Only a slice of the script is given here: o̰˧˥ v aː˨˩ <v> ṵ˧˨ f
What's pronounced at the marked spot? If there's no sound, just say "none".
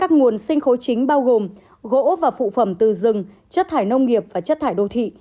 f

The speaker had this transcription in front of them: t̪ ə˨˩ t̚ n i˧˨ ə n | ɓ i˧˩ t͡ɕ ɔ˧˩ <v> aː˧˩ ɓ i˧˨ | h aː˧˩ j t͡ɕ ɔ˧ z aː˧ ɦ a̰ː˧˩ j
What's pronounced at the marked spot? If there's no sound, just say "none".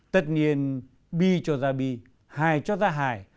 z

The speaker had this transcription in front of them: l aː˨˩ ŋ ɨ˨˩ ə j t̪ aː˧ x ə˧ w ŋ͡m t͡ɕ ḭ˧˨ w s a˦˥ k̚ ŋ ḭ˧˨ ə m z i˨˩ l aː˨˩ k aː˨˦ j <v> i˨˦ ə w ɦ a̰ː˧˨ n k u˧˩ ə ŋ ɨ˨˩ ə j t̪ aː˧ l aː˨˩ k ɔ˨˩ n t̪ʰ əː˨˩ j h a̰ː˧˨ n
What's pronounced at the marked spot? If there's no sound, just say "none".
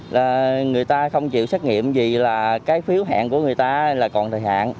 f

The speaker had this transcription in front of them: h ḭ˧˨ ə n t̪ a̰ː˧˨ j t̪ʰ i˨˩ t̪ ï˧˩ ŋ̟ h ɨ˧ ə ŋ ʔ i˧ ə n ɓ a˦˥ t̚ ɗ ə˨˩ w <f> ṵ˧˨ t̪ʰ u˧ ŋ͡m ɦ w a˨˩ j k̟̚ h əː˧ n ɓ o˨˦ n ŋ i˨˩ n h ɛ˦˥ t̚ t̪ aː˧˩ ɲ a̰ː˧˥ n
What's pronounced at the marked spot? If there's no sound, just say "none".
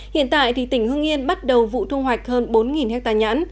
v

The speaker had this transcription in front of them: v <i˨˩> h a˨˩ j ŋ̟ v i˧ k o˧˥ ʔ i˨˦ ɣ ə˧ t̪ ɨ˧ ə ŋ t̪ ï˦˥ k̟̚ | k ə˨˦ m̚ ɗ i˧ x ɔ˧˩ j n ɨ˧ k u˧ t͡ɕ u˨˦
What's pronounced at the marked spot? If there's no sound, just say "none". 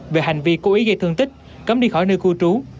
e˨˩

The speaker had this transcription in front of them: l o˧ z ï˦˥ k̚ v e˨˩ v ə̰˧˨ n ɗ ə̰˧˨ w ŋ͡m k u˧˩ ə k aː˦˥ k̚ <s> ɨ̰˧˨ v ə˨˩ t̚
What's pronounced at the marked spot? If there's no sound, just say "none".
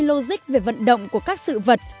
s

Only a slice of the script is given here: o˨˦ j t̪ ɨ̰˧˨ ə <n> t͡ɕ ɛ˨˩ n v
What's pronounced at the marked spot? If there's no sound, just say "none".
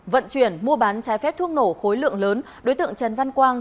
ŋ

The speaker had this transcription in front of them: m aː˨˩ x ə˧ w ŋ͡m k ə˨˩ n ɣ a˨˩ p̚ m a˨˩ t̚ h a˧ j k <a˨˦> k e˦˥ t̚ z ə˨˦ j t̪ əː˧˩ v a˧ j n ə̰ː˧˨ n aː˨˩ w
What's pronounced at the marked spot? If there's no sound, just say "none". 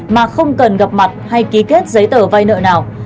i˨˦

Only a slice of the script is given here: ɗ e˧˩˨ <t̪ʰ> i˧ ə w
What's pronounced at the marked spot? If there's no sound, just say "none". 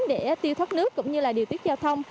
t̪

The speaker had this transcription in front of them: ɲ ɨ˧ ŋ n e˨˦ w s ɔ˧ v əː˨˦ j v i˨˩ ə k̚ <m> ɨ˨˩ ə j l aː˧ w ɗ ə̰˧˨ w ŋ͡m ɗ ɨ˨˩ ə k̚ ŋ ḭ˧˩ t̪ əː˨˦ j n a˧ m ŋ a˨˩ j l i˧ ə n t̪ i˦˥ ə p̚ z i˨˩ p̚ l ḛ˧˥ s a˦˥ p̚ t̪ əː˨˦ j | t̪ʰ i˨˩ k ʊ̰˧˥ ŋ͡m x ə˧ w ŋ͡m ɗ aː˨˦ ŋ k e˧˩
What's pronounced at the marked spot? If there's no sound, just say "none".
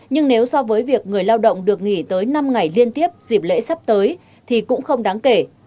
ŋ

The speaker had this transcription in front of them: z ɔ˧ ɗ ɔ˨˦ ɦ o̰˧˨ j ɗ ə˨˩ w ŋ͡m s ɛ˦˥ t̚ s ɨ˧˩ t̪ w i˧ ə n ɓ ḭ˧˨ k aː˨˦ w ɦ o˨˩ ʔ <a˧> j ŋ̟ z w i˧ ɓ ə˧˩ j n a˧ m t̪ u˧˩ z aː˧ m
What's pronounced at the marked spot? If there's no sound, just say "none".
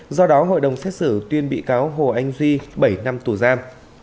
a˧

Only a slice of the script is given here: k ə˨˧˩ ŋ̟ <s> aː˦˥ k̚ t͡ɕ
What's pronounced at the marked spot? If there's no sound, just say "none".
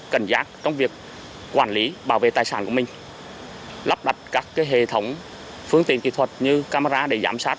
z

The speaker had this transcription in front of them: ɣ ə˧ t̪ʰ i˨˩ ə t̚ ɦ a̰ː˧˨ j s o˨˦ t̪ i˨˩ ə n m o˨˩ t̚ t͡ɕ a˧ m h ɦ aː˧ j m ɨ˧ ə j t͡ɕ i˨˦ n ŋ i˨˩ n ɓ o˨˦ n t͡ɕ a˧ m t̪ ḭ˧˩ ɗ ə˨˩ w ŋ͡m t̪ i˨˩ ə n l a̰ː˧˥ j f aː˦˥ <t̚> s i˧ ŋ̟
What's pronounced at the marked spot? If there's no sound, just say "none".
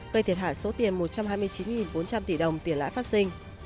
t̚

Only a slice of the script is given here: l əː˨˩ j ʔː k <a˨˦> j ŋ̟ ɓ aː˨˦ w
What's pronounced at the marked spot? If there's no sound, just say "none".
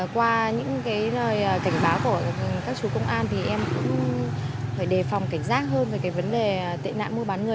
a˧˩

